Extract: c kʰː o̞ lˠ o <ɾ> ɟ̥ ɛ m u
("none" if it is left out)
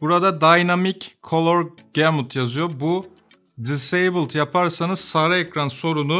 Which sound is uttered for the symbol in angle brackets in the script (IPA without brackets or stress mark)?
ɾ